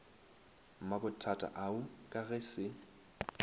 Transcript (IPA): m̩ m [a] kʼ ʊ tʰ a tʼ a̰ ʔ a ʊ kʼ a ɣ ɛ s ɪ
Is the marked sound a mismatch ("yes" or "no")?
no